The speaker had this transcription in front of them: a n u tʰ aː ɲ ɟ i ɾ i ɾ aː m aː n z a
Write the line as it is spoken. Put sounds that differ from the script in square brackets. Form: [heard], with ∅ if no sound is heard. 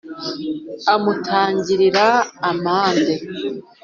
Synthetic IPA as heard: a [m] u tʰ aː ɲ ɟ i ɾ i ɾ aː m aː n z [e]